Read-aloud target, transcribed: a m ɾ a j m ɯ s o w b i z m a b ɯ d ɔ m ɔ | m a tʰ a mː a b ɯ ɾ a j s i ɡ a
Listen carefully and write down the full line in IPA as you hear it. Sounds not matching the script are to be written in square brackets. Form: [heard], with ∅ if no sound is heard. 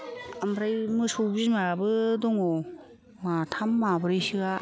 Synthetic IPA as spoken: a m ɾ a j m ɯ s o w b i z m a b ɯ d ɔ [ŋ] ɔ | m a tʰ a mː a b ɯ ɾ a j s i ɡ a